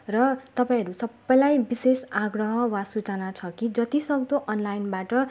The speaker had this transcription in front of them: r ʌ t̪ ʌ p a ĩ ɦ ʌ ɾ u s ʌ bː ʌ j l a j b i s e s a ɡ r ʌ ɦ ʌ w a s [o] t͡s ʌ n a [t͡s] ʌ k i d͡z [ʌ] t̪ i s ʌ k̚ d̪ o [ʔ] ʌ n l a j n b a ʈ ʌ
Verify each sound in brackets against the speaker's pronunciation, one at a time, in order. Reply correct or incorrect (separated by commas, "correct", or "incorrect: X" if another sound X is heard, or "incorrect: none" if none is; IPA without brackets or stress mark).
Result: incorrect: u, incorrect: t͡sʰ, correct, correct